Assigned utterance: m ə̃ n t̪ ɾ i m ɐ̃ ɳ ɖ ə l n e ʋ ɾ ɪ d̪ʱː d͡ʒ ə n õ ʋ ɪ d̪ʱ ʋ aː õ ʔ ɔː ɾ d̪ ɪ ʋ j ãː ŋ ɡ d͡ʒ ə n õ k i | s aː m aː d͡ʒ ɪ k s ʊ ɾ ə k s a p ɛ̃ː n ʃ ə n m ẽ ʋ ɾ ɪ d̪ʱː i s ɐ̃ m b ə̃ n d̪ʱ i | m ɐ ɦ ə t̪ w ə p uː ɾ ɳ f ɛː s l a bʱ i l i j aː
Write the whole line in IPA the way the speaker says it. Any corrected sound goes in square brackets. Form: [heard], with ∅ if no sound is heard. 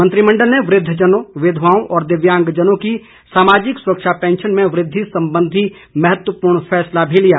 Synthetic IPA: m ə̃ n t̪ ɾ i m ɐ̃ ɳ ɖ ə l n e ʋ ɾ ɪ d̪ʱː d͡ʒ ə n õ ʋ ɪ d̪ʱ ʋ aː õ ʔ ɔː ɾ d̪ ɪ ʋ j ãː ŋ ɡ d͡ʒ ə n õ k i | s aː m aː d͡ʒ ɪ k s ʊ ɾ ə k [ʃ] a p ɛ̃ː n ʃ ə n m ẽ ʋ ɾ ɪ d̪ʱː i s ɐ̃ m b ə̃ n d̪ʱ i | m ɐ ɦ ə t̪ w ə p uː ɾ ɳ f ɛː s l a bʱ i l i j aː